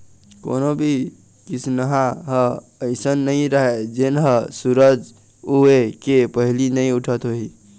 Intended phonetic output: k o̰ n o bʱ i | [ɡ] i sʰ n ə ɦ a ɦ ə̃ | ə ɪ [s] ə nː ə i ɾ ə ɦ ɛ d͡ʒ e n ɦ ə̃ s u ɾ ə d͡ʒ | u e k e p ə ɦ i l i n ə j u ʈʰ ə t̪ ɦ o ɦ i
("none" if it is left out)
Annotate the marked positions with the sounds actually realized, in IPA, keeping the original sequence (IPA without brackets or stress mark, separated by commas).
k, s